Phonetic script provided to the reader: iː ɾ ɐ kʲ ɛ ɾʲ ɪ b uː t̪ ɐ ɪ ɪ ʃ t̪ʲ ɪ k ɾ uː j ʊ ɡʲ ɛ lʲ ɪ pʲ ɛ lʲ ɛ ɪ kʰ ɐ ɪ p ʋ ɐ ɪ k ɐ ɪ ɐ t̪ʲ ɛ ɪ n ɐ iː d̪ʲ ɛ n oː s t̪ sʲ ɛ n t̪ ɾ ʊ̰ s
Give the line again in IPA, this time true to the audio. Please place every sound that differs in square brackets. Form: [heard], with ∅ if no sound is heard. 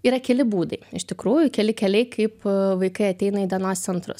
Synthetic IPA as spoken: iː ɾ ɐ kʲ ɛ [lʲ] ɪ b uː [d̪] ɐ ɪ ɪ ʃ t̪ʲ ɪ k ɾ uː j ʊ [kʲ] ɛ lʲ ɪ [kʲ] ɛ lʲ ɛ ɪ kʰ ɐ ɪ p ʋ ɐ ɪ k ɐ ɪ ɐ t̪ʲ ɛ ɪ n ɐ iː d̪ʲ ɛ n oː s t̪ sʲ ɛ n t̪ ɾ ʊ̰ s